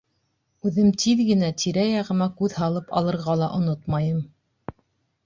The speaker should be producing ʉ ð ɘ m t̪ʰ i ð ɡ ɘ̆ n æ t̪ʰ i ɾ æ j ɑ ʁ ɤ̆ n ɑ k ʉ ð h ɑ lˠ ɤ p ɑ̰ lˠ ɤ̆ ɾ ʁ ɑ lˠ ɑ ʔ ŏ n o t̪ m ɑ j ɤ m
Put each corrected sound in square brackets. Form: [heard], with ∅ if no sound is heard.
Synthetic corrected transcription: ʉ ð ɘ m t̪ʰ i ð ɡ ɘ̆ n æ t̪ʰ i ɾ æ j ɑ ʁ ɤ̆ [m] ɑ k ʉ ð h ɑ lˠ ɤ p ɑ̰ lˠ ɤ̆ ɾ ʁ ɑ lˠ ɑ ʔ ŏ n o t̪ m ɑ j ɤ m